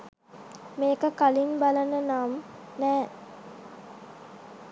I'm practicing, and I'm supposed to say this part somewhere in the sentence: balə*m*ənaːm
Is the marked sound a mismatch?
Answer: yes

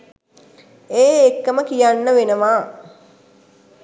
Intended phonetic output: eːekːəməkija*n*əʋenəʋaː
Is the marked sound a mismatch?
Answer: yes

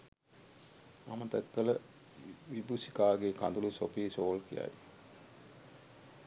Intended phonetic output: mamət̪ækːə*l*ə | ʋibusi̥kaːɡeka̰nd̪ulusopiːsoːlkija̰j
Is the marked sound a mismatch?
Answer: no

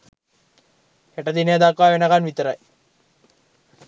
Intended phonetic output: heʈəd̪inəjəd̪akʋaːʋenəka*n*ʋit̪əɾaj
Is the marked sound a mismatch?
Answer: no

